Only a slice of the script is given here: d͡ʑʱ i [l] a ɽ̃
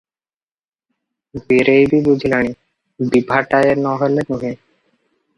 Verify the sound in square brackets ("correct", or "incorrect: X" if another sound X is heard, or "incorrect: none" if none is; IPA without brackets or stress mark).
correct